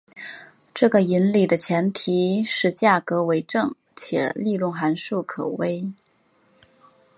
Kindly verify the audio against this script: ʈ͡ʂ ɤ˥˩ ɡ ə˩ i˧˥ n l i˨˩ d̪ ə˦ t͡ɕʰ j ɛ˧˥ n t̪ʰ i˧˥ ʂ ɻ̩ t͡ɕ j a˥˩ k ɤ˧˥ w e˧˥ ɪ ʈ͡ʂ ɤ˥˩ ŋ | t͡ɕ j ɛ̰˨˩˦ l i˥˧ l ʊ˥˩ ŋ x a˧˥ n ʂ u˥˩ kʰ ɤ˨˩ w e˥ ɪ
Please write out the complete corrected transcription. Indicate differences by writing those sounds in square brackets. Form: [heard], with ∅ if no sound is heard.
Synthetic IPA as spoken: ʈ͡ʂ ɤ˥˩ ɡ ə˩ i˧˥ n l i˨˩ d̪ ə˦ t͡ɕʰ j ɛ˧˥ n t̪ʰ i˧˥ ʂ ɻ̩ t͡ɕ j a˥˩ k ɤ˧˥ w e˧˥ ɪ ʈ͡ʂ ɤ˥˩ ŋ | [t͡ɕʰ] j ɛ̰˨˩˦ l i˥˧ l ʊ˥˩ ŋ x a˧˥ n ʂ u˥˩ kʰ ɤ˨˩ w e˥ ɪ